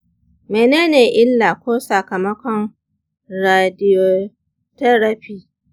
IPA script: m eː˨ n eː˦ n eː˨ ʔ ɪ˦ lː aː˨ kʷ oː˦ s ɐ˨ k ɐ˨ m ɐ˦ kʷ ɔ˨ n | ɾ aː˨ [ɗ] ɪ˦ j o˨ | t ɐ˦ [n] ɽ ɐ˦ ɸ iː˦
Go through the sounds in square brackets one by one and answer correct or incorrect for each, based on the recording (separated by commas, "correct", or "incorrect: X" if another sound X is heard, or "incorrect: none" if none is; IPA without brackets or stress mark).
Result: incorrect: d, incorrect: none